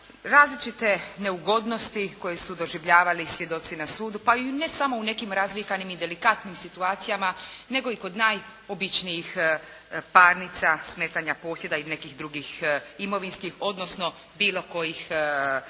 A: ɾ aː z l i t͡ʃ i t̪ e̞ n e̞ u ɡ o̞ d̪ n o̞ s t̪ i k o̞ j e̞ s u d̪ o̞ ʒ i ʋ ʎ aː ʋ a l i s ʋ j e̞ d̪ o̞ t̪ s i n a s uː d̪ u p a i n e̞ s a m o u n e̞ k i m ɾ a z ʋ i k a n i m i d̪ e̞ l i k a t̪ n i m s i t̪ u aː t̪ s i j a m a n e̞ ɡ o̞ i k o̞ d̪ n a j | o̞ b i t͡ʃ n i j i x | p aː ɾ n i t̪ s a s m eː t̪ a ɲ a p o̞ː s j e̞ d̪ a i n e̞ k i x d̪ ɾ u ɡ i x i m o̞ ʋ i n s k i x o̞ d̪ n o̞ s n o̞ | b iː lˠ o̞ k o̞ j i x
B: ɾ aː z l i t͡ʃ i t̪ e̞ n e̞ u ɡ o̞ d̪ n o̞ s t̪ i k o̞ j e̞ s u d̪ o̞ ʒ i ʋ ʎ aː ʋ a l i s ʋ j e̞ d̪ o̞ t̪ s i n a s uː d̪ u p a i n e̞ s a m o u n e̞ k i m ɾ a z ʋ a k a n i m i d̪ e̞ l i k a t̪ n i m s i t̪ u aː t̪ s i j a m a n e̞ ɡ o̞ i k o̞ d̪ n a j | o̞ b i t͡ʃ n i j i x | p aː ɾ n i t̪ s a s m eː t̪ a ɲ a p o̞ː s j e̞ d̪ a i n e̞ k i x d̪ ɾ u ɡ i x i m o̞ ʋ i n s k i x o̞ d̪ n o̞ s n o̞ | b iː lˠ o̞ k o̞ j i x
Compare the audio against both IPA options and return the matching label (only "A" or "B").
A